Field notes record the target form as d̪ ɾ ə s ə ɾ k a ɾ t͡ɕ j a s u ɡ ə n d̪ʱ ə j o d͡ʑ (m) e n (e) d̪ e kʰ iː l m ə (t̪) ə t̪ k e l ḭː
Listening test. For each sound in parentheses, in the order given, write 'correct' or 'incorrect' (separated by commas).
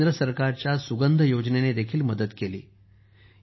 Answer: incorrect, correct, incorrect